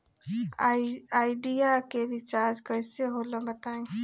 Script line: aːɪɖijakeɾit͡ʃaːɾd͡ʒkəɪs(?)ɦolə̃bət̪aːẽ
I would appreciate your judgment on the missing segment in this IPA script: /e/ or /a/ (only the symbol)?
e